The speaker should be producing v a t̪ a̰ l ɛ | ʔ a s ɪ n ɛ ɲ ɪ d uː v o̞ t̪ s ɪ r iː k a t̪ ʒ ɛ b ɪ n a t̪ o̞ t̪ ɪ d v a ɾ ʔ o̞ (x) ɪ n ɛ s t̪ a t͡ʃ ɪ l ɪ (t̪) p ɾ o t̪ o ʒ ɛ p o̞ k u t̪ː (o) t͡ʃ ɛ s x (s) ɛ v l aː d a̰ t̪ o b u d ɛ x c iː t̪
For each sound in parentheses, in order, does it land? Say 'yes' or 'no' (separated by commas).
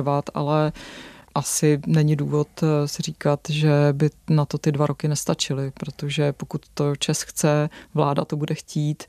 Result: no, no, yes, no